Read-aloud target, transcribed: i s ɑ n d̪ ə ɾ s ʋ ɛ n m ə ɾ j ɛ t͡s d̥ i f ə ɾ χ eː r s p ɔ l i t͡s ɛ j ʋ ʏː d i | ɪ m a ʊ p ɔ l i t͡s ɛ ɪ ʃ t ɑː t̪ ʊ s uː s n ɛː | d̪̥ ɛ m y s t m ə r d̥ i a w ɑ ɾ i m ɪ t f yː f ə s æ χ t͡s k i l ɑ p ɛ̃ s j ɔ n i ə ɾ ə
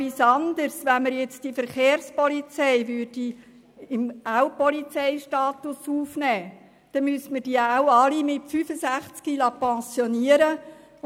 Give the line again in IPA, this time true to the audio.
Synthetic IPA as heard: i s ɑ n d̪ ə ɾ s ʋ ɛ n m ə ɾ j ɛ t͡s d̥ i f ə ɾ χ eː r s p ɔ l i t͡s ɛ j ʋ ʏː d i | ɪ m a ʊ p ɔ l i t͡s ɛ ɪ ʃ t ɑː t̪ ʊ s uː f n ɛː | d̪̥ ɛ m y s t m ə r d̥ i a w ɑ l i m ɪ t f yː f ə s æ χ t͡s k i l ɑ p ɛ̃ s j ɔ n i ə ɾ ə